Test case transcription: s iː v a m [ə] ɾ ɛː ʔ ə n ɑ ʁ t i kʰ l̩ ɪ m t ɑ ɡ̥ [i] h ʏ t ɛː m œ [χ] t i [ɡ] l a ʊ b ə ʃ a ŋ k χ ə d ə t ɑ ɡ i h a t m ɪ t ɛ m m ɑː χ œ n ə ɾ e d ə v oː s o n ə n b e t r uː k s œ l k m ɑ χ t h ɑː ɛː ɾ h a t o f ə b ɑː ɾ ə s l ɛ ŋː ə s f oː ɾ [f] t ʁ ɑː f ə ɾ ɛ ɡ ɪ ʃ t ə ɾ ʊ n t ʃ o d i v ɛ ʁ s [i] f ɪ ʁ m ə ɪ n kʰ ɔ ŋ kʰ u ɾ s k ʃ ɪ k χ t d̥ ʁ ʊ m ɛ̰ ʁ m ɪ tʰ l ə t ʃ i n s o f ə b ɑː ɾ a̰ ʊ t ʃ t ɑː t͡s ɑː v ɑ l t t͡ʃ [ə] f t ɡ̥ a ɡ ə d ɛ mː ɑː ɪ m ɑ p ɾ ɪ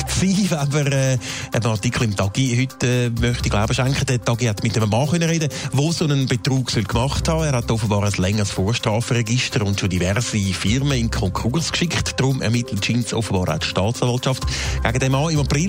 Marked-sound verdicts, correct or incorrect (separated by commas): correct, correct, correct, correct, incorrect, correct, incorrect